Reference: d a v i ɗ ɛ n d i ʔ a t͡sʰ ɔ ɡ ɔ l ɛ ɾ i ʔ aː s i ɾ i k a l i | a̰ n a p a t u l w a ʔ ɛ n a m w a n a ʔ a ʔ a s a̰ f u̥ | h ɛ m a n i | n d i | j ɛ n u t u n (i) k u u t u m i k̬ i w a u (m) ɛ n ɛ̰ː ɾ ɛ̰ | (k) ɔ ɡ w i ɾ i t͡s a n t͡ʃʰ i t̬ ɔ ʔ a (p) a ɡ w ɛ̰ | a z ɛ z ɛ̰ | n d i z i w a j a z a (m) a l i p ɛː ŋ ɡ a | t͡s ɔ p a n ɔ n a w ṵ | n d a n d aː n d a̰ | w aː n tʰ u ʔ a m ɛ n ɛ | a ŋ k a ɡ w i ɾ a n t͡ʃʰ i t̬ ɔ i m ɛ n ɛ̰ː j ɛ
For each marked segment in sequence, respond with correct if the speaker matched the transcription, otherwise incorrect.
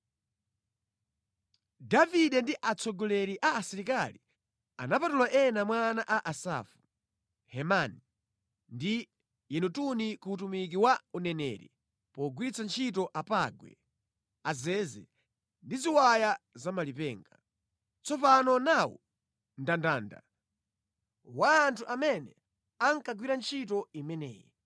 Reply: correct, incorrect: n, incorrect: p, correct, correct

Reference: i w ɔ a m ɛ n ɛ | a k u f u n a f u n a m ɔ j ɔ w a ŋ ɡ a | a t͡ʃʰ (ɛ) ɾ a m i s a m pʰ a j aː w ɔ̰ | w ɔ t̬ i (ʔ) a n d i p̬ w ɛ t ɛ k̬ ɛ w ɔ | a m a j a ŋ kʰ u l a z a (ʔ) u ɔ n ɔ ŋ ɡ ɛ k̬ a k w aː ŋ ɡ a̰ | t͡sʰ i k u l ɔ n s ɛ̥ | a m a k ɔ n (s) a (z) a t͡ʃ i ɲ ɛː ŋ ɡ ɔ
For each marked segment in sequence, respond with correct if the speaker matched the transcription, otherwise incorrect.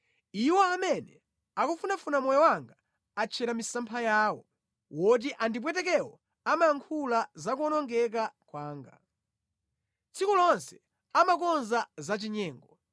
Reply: correct, correct, incorrect: k, incorrect: z, correct

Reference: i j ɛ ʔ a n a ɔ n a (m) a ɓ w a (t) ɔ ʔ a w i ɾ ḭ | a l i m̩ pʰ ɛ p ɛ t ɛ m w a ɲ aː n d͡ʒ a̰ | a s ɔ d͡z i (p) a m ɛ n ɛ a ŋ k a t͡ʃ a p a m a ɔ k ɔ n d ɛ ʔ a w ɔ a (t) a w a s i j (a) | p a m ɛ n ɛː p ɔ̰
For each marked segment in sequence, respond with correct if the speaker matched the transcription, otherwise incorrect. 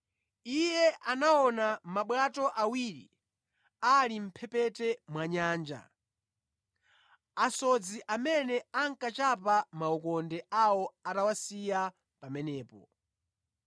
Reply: correct, correct, incorrect: ʔ, correct, correct

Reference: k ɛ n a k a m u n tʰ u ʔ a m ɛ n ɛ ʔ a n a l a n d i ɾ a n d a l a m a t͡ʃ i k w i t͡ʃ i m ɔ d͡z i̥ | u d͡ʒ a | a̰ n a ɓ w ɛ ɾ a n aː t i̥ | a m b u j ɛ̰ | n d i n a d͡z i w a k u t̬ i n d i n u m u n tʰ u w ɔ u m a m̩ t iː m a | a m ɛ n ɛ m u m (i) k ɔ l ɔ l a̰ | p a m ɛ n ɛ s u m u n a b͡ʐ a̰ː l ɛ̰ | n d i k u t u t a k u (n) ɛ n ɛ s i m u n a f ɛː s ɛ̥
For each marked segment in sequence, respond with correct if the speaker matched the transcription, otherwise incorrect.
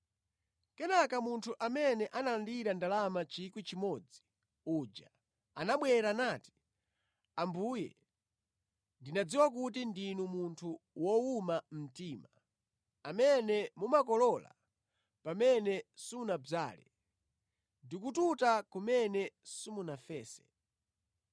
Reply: incorrect: a, incorrect: m

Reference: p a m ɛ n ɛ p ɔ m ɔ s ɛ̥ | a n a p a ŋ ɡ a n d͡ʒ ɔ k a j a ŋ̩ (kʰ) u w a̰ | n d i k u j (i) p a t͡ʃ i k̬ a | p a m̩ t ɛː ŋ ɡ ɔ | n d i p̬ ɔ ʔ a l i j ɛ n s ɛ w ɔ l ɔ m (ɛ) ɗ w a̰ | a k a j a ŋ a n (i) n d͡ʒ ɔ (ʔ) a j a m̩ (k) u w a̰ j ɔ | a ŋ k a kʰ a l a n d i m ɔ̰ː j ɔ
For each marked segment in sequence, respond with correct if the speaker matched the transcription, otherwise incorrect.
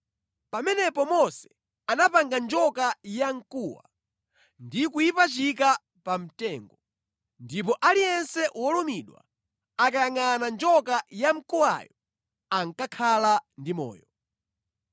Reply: incorrect: k, correct, incorrect: i, incorrect: a, incorrect: k, correct

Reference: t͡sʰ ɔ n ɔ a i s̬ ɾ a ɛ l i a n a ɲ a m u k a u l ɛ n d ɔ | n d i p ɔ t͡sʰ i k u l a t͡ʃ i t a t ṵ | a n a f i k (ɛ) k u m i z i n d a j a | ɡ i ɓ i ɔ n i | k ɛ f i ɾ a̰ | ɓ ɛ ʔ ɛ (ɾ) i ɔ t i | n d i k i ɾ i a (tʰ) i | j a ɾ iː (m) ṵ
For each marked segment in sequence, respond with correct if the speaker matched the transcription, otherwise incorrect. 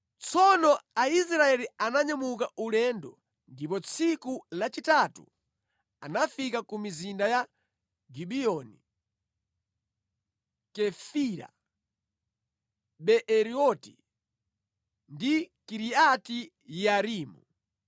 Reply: incorrect: a, correct, incorrect: t, correct

